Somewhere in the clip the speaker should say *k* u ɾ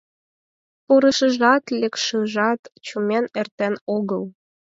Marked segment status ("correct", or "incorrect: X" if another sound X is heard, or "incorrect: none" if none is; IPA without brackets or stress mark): incorrect: p